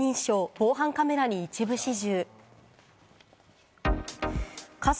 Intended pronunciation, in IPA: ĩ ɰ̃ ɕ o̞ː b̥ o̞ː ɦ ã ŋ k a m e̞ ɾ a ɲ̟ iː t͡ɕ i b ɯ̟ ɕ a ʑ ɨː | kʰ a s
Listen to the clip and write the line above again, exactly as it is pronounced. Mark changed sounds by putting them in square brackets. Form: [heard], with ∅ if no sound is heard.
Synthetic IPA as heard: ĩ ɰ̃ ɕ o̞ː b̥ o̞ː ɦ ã ŋ k a m e̞ ɾ a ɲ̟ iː t͡ɕ i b ɯ̟ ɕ [i] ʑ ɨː | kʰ a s